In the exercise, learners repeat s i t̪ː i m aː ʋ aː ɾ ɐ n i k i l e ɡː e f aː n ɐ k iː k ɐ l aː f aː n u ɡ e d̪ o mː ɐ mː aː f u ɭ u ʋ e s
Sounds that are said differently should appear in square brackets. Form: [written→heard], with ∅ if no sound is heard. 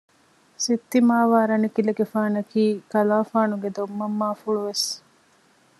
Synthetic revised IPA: s i t̪ː i m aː ʋ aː ɾ ɐ n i k i l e [ɡː→ɡ] e f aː n ɐ k iː k ɐ l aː f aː n u ɡ e d̪ o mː ɐ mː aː f u ɭ u ʋ e s